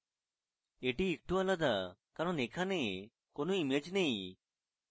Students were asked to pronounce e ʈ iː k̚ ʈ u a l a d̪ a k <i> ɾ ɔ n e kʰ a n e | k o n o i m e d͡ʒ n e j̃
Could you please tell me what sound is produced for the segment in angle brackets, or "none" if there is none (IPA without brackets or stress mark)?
a